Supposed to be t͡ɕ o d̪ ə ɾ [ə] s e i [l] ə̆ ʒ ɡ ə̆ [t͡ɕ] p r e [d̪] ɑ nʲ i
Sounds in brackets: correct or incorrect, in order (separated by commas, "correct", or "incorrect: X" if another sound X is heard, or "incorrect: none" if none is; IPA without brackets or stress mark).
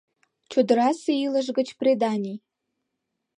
incorrect: ɑ, correct, correct, correct